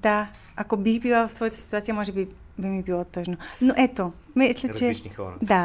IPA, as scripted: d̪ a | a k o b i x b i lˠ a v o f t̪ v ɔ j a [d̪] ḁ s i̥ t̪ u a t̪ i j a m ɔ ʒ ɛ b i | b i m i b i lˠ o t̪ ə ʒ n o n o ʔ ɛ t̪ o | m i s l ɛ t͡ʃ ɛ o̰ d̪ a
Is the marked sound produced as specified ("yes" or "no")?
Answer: no